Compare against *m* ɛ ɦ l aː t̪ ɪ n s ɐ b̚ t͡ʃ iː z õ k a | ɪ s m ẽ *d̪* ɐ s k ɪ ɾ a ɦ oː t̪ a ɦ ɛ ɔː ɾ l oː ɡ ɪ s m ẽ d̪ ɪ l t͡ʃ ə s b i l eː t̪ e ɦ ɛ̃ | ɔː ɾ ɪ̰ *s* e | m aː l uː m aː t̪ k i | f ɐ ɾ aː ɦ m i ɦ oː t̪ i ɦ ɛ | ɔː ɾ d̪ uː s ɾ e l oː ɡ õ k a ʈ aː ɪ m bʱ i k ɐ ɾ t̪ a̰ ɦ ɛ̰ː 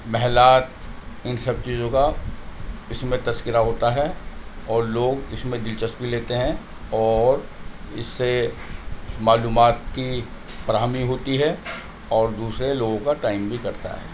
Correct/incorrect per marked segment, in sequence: correct, incorrect: t̪, incorrect: sː

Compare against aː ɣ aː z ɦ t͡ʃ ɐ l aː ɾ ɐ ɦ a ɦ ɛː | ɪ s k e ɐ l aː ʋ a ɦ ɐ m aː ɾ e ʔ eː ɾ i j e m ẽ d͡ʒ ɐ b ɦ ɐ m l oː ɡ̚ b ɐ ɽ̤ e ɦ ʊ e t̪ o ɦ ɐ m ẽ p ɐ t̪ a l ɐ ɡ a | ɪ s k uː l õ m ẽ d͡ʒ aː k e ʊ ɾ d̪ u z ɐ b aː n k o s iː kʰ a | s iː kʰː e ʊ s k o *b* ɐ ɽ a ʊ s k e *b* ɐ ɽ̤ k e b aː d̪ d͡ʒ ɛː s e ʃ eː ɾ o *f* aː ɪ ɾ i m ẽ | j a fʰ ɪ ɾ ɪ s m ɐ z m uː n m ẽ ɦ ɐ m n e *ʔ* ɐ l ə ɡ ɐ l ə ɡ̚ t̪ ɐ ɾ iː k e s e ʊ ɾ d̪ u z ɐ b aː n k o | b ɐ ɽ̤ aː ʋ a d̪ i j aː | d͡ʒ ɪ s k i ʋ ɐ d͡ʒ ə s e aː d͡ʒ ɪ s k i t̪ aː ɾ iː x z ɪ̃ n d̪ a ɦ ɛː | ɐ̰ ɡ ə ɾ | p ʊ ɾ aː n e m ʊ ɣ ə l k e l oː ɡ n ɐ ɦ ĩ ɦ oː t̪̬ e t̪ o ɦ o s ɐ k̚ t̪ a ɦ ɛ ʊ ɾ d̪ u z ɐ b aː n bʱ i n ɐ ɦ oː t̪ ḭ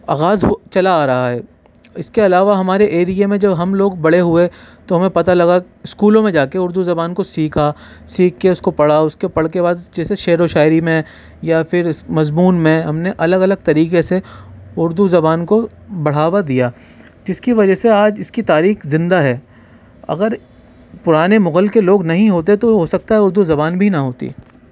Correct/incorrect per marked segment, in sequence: incorrect: p, incorrect: p, incorrect: ʃ, correct

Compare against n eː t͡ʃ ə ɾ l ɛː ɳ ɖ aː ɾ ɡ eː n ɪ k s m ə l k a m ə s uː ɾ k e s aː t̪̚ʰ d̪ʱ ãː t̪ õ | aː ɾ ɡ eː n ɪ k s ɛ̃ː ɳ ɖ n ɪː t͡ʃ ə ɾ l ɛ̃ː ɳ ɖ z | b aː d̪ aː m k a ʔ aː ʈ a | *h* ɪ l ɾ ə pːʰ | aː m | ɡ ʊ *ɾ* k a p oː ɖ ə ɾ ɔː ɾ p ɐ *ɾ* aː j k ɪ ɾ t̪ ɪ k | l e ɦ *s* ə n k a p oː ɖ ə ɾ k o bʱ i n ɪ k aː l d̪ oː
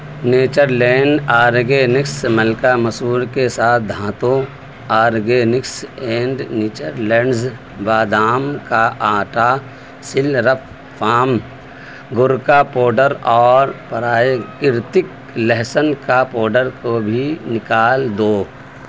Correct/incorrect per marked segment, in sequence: incorrect: s, correct, correct, correct

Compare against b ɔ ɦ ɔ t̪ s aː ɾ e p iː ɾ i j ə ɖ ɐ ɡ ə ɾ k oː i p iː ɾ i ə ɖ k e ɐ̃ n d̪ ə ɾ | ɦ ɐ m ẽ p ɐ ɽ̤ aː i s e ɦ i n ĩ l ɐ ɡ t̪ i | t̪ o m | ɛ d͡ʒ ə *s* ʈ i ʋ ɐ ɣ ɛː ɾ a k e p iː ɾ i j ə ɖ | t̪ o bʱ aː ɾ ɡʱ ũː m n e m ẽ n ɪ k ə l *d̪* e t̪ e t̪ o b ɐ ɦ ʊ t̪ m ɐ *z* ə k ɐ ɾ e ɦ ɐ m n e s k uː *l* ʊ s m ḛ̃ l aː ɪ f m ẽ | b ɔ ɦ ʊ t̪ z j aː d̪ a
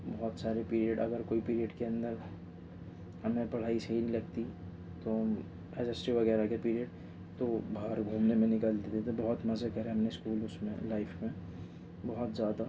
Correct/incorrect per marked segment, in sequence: correct, correct, correct, correct

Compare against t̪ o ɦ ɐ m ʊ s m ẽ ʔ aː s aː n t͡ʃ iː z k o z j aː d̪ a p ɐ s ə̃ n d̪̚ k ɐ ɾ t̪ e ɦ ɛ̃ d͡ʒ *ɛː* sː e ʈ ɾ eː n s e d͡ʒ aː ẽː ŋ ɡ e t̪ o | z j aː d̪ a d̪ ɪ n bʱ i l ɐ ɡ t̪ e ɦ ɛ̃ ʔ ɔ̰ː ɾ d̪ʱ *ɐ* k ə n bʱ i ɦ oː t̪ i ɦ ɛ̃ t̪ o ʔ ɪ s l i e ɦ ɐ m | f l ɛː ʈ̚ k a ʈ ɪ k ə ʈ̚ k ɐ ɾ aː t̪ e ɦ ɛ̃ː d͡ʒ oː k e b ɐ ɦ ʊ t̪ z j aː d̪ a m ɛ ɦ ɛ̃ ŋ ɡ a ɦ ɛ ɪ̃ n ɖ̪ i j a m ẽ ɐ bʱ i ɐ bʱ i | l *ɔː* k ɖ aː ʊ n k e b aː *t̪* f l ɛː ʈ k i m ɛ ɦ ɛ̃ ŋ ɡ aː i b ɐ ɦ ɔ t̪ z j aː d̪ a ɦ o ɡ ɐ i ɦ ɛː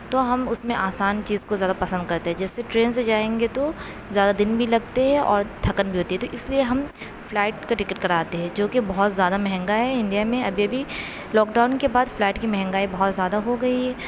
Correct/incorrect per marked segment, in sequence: correct, correct, correct, incorrect: d̪

